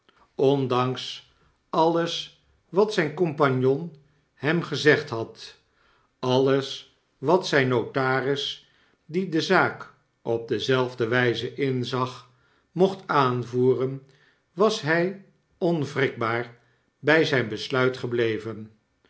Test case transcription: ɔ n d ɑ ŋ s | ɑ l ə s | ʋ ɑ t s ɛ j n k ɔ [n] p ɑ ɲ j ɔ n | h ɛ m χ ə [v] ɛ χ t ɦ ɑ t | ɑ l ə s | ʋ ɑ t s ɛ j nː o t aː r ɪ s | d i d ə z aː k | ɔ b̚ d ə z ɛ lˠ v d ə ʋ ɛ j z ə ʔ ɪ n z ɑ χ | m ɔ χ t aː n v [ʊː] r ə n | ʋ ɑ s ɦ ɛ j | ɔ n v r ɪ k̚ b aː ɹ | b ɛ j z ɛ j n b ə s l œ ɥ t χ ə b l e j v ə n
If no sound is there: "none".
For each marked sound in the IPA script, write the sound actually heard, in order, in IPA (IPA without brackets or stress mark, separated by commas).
m, z, uː